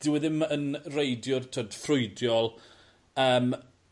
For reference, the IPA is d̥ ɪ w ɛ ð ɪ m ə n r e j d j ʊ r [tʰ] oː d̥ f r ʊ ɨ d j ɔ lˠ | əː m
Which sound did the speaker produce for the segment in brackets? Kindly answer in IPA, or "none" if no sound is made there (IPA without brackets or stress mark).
tʰ